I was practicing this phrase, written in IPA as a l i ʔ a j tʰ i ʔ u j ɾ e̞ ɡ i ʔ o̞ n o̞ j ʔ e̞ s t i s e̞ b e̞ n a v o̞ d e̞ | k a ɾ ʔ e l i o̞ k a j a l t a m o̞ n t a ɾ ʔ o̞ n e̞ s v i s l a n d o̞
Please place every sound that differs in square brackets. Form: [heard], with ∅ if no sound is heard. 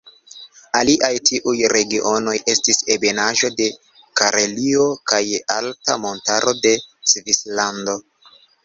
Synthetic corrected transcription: a l i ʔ a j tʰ i ʔ u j ɾ e̞ ɡ i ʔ o̞ n o̞ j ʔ e̞ s t i s e̞ b e̞ n a [ʒ] o̞ d e̞ | k a ɾ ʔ e l i o̞ k a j a l t a m o̞ n t a ɾ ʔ o̞ [d] e̞ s v i s l a n d o̞